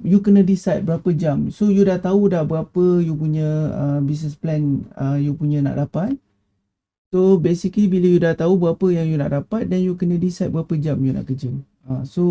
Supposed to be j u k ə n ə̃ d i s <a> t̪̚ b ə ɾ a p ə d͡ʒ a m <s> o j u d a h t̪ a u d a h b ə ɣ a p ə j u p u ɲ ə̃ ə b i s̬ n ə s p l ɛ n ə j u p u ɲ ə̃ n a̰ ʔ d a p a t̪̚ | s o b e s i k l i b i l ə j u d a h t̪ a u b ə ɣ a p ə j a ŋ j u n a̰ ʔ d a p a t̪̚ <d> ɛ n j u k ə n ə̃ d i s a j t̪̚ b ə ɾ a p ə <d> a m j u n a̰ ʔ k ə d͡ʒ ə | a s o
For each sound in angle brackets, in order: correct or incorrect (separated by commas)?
correct, correct, correct, incorrect